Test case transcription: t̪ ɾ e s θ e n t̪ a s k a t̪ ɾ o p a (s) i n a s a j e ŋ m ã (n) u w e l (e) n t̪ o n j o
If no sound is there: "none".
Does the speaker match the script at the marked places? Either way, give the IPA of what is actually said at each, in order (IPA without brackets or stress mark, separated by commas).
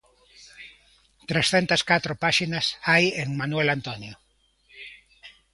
ʃ, n, a